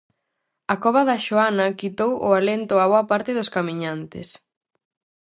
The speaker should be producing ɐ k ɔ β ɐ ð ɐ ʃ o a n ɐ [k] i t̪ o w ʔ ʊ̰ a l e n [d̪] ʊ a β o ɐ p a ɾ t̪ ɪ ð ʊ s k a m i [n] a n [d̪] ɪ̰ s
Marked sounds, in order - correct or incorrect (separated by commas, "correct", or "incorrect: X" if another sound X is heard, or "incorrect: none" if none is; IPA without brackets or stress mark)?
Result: correct, incorrect: t̪, incorrect: ɲ, incorrect: t̪